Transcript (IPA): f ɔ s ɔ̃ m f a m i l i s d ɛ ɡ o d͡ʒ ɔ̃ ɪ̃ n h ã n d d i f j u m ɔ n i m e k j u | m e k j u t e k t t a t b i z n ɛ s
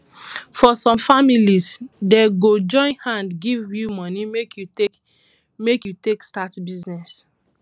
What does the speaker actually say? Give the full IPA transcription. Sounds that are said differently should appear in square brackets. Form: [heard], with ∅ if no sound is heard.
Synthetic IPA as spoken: f ɔ s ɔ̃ m f a m i l i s d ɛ ɡ o d͡ʒ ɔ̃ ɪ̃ n h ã n d [ɡ] i [v] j u m ɔ n i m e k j u | m e k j u t e k [s] t a t b i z n ɛ s